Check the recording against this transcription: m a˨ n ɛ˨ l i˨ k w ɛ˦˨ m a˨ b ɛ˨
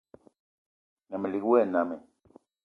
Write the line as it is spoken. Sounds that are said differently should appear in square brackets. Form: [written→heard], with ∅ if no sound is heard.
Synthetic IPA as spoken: [m→n] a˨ [n→m] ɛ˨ l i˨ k w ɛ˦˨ [m→n] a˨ [b→m] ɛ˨